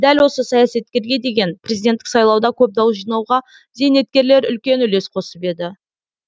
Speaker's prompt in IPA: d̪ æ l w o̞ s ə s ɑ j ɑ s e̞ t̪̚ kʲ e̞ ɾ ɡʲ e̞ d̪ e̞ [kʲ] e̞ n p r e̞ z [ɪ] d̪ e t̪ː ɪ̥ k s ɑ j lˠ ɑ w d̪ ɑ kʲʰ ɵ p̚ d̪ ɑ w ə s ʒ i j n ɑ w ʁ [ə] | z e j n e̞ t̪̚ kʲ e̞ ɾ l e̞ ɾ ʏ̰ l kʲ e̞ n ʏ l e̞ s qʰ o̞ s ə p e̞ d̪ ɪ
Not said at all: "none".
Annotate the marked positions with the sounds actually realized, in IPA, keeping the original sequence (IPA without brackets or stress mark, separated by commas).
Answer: ɡʲ, i, ɑ